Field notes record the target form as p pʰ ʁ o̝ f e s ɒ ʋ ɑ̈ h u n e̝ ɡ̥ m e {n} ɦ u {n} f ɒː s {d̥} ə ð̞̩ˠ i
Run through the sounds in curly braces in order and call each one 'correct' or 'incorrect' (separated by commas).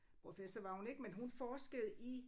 correct, correct, incorrect